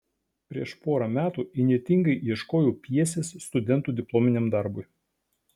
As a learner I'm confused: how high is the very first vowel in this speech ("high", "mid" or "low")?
high